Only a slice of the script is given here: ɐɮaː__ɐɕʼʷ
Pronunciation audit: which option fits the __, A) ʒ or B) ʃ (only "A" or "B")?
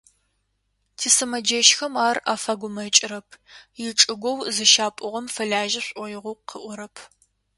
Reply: A